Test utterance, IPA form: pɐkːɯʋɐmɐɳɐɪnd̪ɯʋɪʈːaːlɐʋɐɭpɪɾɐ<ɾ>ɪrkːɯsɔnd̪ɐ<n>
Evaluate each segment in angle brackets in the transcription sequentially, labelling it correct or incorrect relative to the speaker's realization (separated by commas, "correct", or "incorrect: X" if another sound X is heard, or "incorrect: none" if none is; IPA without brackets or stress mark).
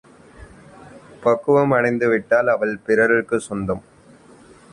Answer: correct, incorrect: m